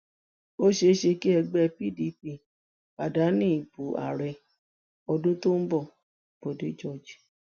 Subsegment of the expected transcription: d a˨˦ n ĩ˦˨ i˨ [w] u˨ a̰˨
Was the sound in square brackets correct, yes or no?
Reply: no